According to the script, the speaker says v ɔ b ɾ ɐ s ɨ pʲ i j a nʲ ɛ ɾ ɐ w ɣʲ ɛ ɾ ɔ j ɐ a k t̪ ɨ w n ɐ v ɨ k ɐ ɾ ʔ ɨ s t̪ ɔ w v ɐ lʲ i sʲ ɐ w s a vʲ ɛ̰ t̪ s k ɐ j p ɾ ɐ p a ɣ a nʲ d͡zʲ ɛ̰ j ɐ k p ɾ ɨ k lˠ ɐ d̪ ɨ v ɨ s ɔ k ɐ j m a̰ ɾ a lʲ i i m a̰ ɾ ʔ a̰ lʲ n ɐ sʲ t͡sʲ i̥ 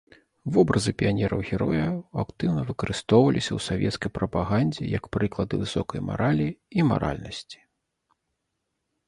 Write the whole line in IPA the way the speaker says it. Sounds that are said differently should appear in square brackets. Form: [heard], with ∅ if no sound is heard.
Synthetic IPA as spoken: v ɔ b ɾ ɐ [z] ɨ pʲ i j a nʲ ɛ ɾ ɐ w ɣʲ ɛ ɾ ɔ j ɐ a k t̪ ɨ w n ɐ v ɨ k ɐ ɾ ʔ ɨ s t̪ ɔ w v ɐ lʲ i sʲ ɐ w s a vʲ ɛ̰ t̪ s k ɐ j p ɾ ɐ p a ɣ a nʲ d͡zʲ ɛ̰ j ɐ k p ɾ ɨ k lˠ ɐ d̪ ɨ v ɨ s ɔ k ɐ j m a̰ ɾ a lʲ i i m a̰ ɾ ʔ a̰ lʲ n ɐ sʲ t͡sʲ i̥